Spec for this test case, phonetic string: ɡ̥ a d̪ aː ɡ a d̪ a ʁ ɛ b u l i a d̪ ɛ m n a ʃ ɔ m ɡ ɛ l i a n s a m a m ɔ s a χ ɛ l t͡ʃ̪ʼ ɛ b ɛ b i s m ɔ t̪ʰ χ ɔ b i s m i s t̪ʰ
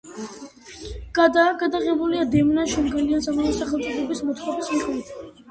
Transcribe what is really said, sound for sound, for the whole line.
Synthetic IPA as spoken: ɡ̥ a d̪ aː ɡ a d̪ a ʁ ɛ b u l i a d̪ ɛ m n a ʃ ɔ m ɡ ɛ l i a n s a m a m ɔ s a χ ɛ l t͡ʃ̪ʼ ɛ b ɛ b i s m ɔ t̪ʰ χ ɔ b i s m i χ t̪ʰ

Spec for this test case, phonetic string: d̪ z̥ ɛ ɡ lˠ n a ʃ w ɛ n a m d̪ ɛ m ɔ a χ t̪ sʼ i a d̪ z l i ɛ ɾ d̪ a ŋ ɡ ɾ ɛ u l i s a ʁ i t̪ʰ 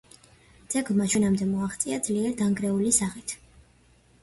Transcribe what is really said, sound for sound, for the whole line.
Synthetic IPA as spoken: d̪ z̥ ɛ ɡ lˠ m a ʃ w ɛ n a m d̪ ɛ m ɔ a χ t̪ sʼ i a d̪ z l i ɛ ɾ d̪ a ŋ ɡ ɾ ɛ u l i s a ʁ i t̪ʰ

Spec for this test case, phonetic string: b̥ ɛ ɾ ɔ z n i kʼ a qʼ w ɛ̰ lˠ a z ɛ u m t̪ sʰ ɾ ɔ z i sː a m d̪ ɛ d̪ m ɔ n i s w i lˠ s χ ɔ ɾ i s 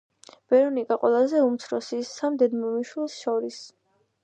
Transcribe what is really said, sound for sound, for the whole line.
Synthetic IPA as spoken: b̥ ɛ ɾ ɔ n i kʼ a qʼ w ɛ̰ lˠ a z ɛ u m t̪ sʰ ɾ ɔ s i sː a m d̪ ɛ d̪ m ɔ m i ʃ w i lˠ s ʃ ɔ ɾ i s

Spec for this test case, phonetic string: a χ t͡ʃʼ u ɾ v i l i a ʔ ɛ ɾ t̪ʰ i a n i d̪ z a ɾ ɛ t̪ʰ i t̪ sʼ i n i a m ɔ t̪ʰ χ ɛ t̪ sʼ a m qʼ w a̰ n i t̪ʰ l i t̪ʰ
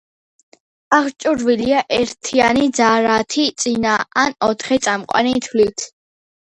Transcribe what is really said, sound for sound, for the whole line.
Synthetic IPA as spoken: a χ t͡ʃʼ u ɾ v i l i a ʔ ɛ ɾ t̪ʰ i a n i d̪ z a ɾ a t̪ʰ i t̪ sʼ i n a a n ɔ t̪ʰ χ ɛ t̪ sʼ a m qʼ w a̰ n i t̪ʰ l i t̪ʰ

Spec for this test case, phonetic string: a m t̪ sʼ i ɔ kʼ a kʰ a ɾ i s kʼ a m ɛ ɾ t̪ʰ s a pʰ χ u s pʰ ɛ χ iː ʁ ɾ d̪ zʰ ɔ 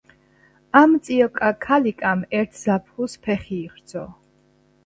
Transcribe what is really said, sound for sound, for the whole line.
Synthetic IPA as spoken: a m t̪ sʼ i ɔ kʼ a kʰ a l i kʼ a m ɛ ɾ t̪ʰ z a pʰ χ u s pʰ ɛ χ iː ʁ ɾ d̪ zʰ ɔ

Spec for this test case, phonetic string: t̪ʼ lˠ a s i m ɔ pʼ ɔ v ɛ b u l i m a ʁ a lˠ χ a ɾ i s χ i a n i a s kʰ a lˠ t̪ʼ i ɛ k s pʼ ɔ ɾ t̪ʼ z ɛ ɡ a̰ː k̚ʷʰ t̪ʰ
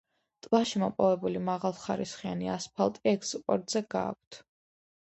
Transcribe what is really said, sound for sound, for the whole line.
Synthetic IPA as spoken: t̪ʼ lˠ a ʃ i m ɔ pʼ ɔ v ɛ b u l i m a ʁ a lˠ χ a ɾ i s χ i a n i a s pʰ a lˠ t̪ʼ i ɛ k s pʼ ɔ ɾ t̪ʼ z ɛ ɡ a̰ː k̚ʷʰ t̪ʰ

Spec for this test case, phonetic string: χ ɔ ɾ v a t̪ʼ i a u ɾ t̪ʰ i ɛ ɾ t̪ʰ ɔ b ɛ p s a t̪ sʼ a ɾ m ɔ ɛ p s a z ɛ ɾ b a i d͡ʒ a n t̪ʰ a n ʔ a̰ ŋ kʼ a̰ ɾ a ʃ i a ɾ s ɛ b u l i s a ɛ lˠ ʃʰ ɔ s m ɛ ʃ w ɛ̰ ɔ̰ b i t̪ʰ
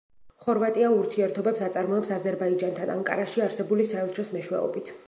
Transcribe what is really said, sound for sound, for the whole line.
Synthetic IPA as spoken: χ ɔ ɾ v a t̪ʼ i a u ɾ t̪ʰ i ɛ ɾ t̪ʰ ɔ b ɛ p s a t̪ sʼ a ɾ m ɔ ɛ p s a z ɛ ɾ b a i d͡ʒ a n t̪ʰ a n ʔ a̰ ŋ kʼ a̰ ɾ a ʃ i a ɾ s ɛ b u l i s a ɛ lˠ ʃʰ ɔ s m ɛ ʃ w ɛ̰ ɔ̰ b i t̪ʰ

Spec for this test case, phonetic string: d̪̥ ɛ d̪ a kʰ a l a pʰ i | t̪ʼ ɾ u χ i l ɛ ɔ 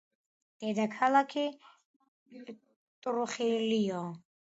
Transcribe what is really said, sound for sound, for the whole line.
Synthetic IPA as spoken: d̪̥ ɛ d̪ a kʰ a l a kʰ i | t̪ʼ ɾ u χ i l i ɔ

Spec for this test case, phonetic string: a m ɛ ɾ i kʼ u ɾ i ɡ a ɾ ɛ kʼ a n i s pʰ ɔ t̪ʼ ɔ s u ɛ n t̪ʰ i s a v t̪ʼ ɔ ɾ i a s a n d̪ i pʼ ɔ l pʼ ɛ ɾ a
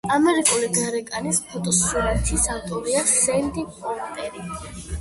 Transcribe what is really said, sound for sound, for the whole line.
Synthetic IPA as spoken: a m ɛ ɾ i kʼ u l i ɡ a ɾ ɛ kʼ a n i s pʰ ɔ t̪ʼ ɔ s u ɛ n t̪ʰ i s a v t̪ʼ ɔ ɾ i a s ɛ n d̪ i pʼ ɔ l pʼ ɛ ɾ i

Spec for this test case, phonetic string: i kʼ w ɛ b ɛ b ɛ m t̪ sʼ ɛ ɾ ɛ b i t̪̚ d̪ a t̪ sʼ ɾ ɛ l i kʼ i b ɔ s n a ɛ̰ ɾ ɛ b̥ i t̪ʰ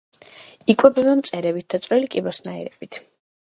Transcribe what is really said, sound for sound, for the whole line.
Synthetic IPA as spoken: i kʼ w ɛ b ɛ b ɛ m t̪ sʼ ɛ ɾ ɛ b i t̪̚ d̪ a t̪ sʼ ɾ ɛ l i kʼ i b ɔ s n a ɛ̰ ɾ ɛ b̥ i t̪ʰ

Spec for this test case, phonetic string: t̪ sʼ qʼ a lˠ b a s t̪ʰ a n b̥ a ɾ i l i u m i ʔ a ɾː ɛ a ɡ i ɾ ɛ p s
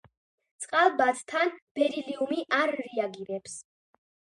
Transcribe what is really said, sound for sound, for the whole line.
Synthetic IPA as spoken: t̪ sʼ qʼ a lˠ b a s t̪ʰ a n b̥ ɛ ɾ i l i u m i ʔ a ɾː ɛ a ɡ i ɾ ɛ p s

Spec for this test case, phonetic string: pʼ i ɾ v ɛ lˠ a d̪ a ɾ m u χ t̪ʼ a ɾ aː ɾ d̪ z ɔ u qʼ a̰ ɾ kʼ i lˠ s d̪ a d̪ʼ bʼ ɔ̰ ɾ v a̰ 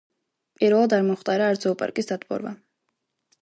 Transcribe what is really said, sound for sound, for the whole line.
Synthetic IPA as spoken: pʼ i ɾ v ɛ lˠ a d̪ a ɾ m ɔ χ t̪ʼ a ɾ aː ɾ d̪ z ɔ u pʼ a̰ ɾ kʼ i s d̪ a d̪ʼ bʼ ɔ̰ ɾ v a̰

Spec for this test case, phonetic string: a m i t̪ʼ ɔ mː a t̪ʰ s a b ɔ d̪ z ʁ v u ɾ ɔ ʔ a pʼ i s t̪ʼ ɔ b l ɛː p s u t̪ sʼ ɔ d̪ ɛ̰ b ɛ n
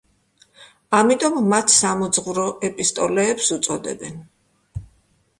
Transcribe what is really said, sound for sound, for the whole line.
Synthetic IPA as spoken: a m i t̪ʼ ɔ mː a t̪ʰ s a m ɔ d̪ z ʁ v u ɾ ɔ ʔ ɛ pʼ i s t̪ʼ ɔ l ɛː p s u t̪ sʼ ɔ d̪ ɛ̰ b ɛ n

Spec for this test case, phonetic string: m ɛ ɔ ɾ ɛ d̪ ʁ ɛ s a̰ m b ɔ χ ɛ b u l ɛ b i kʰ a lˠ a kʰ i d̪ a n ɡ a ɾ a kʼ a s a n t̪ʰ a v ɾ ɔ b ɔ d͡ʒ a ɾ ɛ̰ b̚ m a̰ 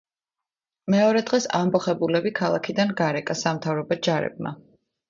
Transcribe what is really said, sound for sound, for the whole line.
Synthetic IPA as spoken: m ɛ ɔ ɾ ɛ d̪ ʁ ɛ s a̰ m b ɔ χ ɛ b u l ɛ b i kʰ a lˠ a kʰ i d̪ a n ɡ a ɾ ɛ kʼ a s a m t̪ʰ a v ɾ ɔ b ɔ d͡ʒ a ɾ ɛ̰ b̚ m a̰

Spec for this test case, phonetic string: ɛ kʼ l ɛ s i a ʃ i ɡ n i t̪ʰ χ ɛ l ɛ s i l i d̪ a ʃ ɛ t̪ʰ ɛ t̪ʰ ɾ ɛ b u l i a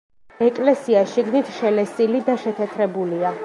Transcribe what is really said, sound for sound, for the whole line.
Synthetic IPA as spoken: ɛ kʼ l ɛ s i a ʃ i ɡ n i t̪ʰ ʃ ɛ l ɛ s i l i d̪ a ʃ ɛ t̪ʰ ɛ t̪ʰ ɾ ɛ b u l i a

